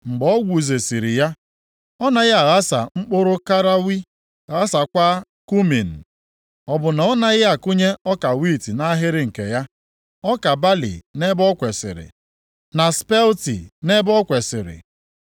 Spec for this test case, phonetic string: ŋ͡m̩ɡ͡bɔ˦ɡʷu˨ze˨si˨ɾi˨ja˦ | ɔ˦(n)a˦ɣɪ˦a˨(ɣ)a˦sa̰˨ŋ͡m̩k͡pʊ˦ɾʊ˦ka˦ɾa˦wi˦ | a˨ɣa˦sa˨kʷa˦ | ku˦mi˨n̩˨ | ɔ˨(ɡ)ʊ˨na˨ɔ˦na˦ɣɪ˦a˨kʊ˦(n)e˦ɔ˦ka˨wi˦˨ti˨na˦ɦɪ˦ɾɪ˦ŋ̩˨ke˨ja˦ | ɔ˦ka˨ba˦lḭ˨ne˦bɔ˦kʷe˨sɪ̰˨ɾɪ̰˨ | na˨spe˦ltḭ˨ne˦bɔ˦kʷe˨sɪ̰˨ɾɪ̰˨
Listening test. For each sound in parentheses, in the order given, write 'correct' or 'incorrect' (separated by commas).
correct, correct, incorrect, incorrect